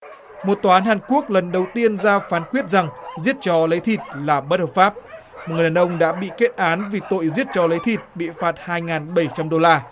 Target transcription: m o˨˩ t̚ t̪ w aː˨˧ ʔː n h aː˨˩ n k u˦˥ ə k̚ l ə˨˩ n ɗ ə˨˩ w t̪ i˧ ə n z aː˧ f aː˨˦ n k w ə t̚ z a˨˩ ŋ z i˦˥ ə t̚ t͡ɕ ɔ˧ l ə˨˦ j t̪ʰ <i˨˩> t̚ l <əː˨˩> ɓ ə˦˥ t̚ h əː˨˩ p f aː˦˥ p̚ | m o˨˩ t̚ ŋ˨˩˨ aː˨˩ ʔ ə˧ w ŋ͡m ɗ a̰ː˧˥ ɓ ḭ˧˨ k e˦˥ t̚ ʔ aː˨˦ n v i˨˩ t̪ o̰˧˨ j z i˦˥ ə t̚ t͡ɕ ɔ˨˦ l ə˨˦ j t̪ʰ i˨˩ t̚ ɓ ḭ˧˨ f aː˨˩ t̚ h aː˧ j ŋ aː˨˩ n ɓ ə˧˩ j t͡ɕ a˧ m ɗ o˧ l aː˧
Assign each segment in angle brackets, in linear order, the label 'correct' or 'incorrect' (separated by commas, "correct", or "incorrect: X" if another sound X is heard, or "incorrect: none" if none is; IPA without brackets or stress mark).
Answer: correct, incorrect: aː˨˩